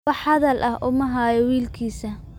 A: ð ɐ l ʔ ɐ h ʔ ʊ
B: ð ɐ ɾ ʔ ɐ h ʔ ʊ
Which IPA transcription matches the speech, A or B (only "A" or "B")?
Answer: A